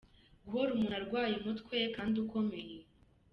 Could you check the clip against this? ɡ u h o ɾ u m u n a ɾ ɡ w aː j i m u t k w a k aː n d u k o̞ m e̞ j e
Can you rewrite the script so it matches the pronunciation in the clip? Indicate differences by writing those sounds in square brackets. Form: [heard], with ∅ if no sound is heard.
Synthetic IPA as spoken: ɡ u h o ɾ u m u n a ɾ ɡ w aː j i m u t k w [e] k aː n d u k o̞ m e̞ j e